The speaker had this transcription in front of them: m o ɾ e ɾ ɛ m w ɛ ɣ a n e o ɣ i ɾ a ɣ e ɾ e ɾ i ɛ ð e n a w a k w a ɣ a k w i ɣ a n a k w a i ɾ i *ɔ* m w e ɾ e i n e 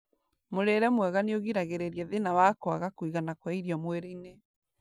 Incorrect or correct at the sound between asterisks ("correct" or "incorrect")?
correct